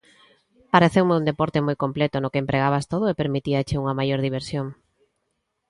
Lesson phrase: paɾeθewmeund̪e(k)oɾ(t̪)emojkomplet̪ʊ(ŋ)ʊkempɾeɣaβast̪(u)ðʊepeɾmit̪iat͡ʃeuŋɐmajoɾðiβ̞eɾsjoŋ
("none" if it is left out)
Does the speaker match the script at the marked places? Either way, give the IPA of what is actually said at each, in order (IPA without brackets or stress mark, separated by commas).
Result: p, t̪, n, o